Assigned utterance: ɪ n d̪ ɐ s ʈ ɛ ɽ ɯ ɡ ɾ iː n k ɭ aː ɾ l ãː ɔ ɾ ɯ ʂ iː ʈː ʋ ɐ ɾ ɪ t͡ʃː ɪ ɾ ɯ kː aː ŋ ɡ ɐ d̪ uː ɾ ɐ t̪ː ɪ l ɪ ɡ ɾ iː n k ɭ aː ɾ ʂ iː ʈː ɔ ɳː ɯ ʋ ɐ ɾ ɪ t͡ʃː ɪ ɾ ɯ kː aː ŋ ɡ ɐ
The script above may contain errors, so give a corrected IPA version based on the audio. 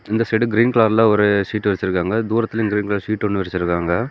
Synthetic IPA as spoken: ɪ n d̪ ɐ s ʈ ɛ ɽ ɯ ɡ ɾ iː n k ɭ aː ɾ l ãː ɔ ɾ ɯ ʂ iː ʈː ʋ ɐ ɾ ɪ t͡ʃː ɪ ɾ ɯ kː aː ŋ ɡ ɐ d̪ uː ɾ ɐ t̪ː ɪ l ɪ ɡ ɾ iː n k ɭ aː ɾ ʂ iː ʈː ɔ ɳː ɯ ʋ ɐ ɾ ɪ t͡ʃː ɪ ɾ ɯ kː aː ŋ ɡ ɐ

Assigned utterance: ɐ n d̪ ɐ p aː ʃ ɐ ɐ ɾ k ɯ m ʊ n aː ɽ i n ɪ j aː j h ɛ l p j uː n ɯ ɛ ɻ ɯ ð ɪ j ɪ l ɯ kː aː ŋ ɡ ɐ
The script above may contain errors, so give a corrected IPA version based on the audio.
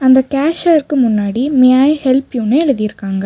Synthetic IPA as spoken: ɐ n d̪ ɐ k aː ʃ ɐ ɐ ɾ k ɯ m ʊ nː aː ɽ i m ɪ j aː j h ɛ l p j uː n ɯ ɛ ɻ ɯ ð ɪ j ɪ ɾ ɯ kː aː ŋ ɡ ɐ

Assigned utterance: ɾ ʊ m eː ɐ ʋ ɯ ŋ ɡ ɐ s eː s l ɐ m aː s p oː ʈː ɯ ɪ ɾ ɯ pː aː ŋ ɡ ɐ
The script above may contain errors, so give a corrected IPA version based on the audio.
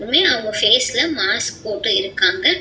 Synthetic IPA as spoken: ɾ ɯ m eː ɐ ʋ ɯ ŋ ɡ ɐ f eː s l ɐ m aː s p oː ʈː ɯ ɪ ɾ ɯ kː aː ŋ ɡ ɐ

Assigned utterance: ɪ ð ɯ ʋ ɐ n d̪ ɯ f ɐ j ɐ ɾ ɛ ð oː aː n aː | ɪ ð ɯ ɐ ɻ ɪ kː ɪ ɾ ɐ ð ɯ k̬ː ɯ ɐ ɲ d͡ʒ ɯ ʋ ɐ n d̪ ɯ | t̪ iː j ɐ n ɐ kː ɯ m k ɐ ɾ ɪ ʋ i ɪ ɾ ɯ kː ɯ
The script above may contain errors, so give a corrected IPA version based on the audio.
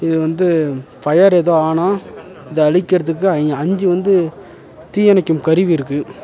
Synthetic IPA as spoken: ɪ ð ɯ ʋ ɐ n d̪ ɯ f ɐ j ɐ ɾ ɛ ð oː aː n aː | ɪ ð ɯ ɐ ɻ ɪ kː ɪ ɾ ɐ ð ɯ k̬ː ɯ ɐ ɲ d͡ʒ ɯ ʋ ɐ n d̪ ɯ | t̪ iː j ɐ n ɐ kː ɯ m k ɐ ɾ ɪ ʋ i ɪ ɾ ɯ kː ɯ

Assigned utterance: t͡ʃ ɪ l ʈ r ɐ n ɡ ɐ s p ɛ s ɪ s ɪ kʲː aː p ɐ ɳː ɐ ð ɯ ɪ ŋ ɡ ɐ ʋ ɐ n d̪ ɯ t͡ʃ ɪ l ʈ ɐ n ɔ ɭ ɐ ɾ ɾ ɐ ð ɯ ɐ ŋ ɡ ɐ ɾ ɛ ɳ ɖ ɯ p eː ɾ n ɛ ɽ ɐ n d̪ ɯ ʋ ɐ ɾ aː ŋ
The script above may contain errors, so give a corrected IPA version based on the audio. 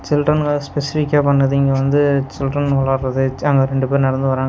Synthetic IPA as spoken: t͡ʃ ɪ l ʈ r ɐ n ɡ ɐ s p ɛ s ɪ f ɪ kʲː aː p ɐ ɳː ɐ ð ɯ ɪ ŋ ɡ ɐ ʋ ɐ n d̪ ɯ t͡ʃ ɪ l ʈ ɐ n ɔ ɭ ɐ ɾ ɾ ɐ ð ɯ ɐ ŋ ɡ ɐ ɾ ɛ ɳ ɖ ɯ p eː ɾ n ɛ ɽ ɐ n d̪ ɯ ʋ ɐ ɾ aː ŋ

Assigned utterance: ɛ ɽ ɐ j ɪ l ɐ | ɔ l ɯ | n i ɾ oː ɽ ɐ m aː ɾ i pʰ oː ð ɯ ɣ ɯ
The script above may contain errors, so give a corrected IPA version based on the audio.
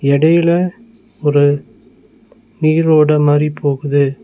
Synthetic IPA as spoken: ɛ ɽ ɐ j ɪ l ɐ | ɔ ɾ ɯ | n iː ɾ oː ɽ ɐ m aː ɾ i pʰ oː ɣ ɯ ð ɯ

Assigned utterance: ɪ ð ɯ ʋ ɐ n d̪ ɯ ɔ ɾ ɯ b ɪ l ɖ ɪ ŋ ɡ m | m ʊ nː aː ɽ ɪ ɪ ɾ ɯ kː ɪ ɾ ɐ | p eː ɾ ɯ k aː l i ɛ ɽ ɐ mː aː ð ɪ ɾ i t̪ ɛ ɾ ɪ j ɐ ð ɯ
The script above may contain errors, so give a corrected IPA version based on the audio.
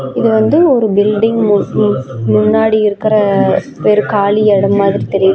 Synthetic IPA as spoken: ɪ ð ɯ ʋ ɐ n d̪ ɯ ɔ ɾ ɯ b ɪ l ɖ ɪ ŋ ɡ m | m ʊ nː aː ɽ i ɪ ɾ ɯ kː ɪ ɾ ɐ | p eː ɾ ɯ k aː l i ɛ ɽ ɐ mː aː ð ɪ ɾ i t̪ ɛ ɾ ɪ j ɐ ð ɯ

